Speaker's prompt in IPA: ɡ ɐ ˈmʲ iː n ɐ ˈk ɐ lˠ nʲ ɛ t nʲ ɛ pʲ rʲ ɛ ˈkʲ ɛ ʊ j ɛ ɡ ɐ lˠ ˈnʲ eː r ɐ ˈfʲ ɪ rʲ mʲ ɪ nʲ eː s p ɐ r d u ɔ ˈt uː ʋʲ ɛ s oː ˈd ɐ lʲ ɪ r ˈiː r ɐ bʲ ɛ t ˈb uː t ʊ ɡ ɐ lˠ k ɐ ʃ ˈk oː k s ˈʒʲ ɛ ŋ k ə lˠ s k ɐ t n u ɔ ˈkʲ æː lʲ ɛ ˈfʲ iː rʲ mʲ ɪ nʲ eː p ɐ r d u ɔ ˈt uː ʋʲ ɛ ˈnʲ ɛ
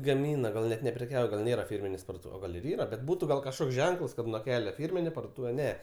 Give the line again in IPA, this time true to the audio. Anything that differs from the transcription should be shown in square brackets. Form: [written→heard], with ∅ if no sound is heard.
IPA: ɡ ɐ ˈmʲ iː n ɐ [ˈk→ˈɡ] ɐ lˠ nʲ ɛ t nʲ ɛ pʲ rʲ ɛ ˈkʲ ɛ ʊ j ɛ ɡ ɐ lˠ ˈnʲ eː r ɐ ˈfʲ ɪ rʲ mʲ ɪ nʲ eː s p ɐ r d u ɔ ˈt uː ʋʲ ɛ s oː [ˈd→ˈɡ] ɐ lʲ ɪ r ˈiː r ɐ bʲ ɛ t ˈb uː t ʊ ɡ ɐ lˠ k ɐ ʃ ˈk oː k s ˈʒʲ ɛ ŋ k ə lˠ s k ɐ t n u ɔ ˈkʲ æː lʲ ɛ ˈfʲ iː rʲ mʲ ɪ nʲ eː p ɐ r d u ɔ ˈt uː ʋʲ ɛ ˈnʲ ɛ